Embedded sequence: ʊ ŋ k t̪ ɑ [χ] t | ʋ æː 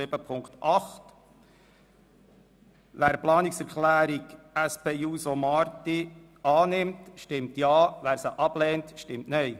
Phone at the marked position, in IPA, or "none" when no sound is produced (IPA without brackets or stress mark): χ